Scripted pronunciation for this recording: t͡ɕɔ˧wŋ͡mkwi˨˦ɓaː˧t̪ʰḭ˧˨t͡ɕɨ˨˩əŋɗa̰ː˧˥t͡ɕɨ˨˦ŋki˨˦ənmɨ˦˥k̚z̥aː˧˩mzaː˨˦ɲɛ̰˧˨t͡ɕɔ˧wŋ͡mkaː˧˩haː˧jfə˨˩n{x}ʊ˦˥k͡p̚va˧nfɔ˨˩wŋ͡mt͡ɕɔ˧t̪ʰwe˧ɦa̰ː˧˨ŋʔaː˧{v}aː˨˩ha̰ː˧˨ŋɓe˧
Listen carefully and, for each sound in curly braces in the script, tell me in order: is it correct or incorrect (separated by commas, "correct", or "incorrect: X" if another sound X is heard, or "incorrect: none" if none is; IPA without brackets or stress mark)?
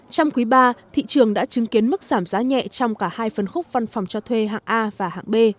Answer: correct, correct